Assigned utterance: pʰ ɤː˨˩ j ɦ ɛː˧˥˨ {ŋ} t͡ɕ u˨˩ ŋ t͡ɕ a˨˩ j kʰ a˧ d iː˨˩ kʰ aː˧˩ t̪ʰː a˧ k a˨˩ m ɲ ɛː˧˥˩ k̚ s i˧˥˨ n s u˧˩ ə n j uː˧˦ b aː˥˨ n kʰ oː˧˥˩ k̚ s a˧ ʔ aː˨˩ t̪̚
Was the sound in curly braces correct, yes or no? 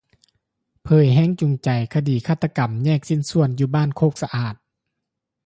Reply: yes